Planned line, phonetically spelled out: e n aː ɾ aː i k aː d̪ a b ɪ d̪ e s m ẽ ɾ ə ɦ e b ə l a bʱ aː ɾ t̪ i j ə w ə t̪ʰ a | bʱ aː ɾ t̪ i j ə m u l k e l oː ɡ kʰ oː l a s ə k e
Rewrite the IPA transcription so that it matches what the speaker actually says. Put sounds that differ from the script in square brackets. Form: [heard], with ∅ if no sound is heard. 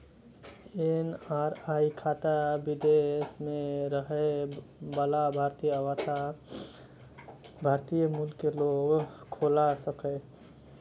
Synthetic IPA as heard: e n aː ɾ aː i [kʰ] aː [t̪] a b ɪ d̪ e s m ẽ ɾ ə ɦ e b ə l a bʱ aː ɾ t̪ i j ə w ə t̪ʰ a | bʱ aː ɾ t̪ i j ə m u l k e l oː ɡ kʰ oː l a s ə k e

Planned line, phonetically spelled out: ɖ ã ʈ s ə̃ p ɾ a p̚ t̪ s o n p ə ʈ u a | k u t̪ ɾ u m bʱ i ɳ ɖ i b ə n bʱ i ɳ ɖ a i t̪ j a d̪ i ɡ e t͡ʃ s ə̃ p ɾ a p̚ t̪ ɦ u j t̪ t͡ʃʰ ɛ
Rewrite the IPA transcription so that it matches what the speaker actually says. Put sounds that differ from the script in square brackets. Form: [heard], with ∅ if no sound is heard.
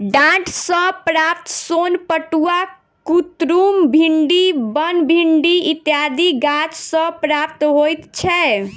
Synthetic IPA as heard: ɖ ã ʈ s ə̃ p ɾ a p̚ t̪ s o n p ə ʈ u a | k u t̪ ɾ u m bʱ i ɳ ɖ i b ə n bʱ i ɳ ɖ [i] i t̪ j a d̪ i ɡ [a] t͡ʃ s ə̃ p ɾ a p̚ t̪ ɦ [o] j t̪ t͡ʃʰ ɛ

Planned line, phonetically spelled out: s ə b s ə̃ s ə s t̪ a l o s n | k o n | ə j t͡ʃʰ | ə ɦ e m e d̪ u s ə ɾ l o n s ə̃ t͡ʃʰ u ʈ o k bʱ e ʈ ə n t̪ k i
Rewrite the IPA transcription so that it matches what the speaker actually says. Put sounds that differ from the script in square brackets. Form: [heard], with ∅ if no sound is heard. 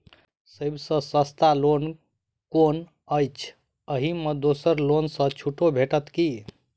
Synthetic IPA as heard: s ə b s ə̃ s ə s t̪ a l o [∅] n | k o n | ə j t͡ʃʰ | ə ɦ [i] m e d̪ [o] s ə ɾ l o n s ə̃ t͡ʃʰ u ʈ o [∅] bʱ e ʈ ə [∅] t̪ k i

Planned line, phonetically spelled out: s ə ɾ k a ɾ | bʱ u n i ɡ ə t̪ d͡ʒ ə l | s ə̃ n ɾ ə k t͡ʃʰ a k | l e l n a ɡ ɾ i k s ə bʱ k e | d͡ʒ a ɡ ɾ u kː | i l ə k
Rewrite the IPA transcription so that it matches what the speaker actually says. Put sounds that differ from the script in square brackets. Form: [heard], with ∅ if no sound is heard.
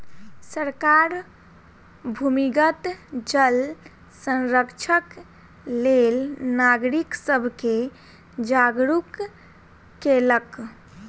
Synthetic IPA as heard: s ə ɾ k a ɾ | bʱ u [m] i ɡ ə t̪ d͡ʒ ə l | s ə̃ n ɾ ə k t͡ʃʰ [ə] k | l e l n a ɡ ɾ i k s ə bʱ k e | d͡ʒ a ɡ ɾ u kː | [e] l ə k

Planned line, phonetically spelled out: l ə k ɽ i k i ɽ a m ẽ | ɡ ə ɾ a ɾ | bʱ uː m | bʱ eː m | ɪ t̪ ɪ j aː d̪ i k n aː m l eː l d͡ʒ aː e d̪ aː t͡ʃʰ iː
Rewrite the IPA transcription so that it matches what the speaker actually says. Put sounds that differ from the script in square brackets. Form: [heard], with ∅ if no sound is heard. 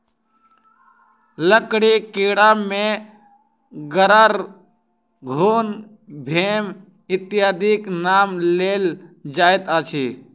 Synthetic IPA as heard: l ə k ɽ i k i ɽ a m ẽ | ɡ ə ɾ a ɾ | [ɡʱ] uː [n] | bʱ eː m | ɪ t̪ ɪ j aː d̪ i k n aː m l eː l d͡ʒ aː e [t̪] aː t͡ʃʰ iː

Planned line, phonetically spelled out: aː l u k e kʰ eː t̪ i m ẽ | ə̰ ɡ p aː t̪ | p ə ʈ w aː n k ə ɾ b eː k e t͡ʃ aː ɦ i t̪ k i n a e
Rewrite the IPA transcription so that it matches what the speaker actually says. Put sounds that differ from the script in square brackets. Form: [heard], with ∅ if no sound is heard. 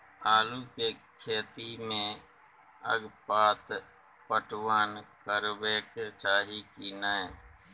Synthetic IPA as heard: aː l u k e kʰ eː t̪ i m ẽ | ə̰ ɡ p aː t̪ | p ə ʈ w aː n k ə ɾ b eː k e t͡ʃ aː ɦ i [∅] k i n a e

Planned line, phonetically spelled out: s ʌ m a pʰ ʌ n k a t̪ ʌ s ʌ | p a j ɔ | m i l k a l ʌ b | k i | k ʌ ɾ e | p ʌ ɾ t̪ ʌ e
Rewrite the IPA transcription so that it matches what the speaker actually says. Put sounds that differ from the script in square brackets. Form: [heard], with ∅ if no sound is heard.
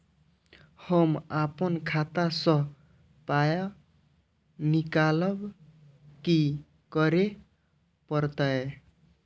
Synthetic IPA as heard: [h] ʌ m a [p] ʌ n [kʰ] a t̪ [a] s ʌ | p a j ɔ | [n] i [∅] k a l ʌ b | k i | k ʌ ɾ e | p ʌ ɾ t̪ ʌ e

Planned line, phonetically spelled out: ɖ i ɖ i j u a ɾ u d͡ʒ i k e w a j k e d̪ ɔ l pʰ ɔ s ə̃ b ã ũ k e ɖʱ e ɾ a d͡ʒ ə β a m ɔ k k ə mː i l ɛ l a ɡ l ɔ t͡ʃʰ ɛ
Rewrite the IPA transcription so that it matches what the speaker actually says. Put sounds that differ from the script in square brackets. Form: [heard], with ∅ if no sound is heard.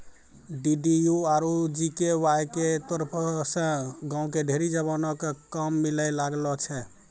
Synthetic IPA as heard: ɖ i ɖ i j u a ɾ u d͡ʒ i k e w a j k e [t̪] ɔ [ɾ] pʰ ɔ s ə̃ [ɡ] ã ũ k e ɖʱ e ɾ [i] d͡ʒ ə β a [n] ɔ k k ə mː i l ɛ l a ɡ l ɔ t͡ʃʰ ɛ

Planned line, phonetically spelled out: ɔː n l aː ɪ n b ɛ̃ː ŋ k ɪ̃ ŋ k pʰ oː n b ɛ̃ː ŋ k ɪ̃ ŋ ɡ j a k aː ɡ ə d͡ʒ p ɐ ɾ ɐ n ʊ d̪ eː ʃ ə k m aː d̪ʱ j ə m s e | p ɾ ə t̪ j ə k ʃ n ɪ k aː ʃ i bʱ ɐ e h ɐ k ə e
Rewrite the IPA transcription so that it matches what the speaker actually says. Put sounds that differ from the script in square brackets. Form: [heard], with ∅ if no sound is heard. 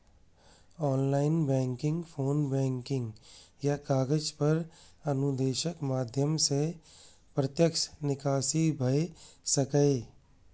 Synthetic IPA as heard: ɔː n l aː ɪ n b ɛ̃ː ŋ k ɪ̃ ŋ [ɡ] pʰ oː n b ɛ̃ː ŋ k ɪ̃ ŋ ɡ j a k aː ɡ ə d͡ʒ p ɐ ɾ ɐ n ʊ d̪ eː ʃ ə k m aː d̪ʱ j ə m s e | p ɾ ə t̪ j ə k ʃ n ɪ k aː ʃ i bʱ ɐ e [s] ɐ k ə e

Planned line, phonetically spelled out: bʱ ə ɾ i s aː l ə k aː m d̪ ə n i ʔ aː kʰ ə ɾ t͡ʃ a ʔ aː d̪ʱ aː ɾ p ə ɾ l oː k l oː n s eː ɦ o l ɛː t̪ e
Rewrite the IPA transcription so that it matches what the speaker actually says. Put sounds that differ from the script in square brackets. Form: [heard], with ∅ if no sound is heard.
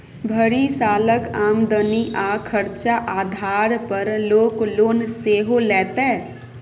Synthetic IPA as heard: bʱ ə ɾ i s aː l ə k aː m d̪ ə n i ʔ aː kʰ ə ɾ t͡ʃ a ʔ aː d̪ʱ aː ɾ p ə ɾ l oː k l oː n s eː ɦ o l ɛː t̪ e

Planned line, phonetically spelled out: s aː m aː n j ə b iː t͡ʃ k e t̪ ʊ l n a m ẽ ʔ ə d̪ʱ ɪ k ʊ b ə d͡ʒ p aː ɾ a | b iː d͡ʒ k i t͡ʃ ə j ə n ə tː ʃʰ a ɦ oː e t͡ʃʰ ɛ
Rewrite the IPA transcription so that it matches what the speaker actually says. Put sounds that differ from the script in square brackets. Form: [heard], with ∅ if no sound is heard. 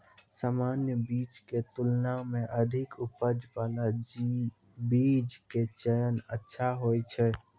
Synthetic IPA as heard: s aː m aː n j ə b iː t͡ʃ k e t̪ ʊ l n a m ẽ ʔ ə d̪ʱ ɪ k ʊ [p] ə d͡ʒ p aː [l] a | b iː d͡ʒ k [e] t͡ʃ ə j ə n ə tː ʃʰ a ɦ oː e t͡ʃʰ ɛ

